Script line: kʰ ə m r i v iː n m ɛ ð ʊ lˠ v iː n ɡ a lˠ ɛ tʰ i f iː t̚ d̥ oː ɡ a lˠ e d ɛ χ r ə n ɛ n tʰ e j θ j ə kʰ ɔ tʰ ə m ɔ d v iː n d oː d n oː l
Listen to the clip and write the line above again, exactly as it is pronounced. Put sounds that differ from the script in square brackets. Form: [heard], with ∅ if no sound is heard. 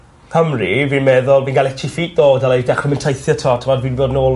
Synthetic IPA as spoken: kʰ ə m r i v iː n m ɛ ð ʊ lˠ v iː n ɡ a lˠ ɛ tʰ i f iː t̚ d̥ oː [d] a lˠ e d ɛ χ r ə [m] ɛ n tʰ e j θ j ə [tʰ] ɔ tʰ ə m ɔ d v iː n [b] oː d n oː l